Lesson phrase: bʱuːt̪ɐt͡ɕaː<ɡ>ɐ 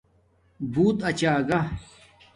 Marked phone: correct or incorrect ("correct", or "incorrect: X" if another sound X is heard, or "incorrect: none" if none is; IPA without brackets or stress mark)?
correct